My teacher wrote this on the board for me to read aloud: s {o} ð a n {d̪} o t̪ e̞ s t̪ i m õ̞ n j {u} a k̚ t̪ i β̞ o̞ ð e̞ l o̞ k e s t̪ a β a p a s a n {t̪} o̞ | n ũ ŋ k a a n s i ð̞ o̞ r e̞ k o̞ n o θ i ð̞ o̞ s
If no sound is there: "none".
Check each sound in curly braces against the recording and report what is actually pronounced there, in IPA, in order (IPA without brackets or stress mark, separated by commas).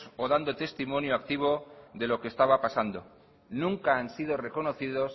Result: o, d̪, o, d̪